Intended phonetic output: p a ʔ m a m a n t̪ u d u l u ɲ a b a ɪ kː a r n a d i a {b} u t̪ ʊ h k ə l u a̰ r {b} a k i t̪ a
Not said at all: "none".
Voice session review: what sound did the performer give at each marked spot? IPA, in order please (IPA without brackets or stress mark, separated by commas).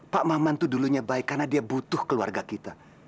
b, ɡ